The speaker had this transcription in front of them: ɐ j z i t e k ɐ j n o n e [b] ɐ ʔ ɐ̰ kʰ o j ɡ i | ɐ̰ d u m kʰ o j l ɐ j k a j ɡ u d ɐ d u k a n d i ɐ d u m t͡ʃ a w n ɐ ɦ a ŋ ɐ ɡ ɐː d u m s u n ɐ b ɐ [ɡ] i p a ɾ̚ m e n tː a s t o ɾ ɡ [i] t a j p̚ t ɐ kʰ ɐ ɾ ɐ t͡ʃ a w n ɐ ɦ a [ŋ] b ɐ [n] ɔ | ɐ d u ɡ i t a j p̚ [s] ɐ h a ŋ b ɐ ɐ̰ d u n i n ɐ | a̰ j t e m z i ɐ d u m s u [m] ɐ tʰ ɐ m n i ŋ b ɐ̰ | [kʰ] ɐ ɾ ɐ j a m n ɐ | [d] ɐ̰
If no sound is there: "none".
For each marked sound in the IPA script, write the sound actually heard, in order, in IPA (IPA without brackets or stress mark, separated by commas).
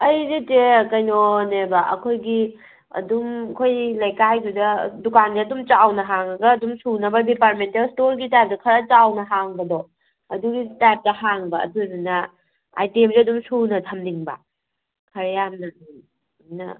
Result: b, d, i, ŋ, d, t, n, kʰ, n